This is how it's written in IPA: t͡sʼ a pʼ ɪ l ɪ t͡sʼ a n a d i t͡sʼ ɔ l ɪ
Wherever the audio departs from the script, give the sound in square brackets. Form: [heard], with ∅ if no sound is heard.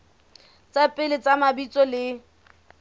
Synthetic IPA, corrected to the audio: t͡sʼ a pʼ ɪ l ɪ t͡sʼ a [m] a [b] i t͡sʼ ɔ l ɪ